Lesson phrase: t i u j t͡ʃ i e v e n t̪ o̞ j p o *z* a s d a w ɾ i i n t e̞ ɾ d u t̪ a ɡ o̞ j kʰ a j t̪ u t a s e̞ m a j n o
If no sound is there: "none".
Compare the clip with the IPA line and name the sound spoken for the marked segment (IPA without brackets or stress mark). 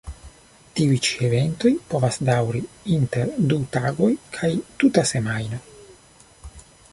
v